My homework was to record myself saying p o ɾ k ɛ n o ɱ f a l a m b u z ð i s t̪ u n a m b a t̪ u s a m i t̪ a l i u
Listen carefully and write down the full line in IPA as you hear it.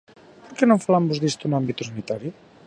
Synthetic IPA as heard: p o ɾ k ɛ n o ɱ f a l a m b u z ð i s t̪ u n a m b i t̪ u s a n i t̪ a ɾ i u